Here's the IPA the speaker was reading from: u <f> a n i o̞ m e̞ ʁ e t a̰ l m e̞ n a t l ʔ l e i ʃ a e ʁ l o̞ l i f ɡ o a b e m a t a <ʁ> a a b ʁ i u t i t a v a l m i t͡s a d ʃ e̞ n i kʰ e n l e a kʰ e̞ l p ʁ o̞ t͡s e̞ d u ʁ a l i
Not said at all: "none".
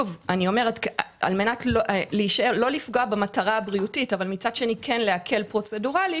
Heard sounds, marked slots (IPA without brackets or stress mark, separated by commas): v, ʁ